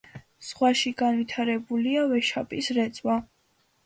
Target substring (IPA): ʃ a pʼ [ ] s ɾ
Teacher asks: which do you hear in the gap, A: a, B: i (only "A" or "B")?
B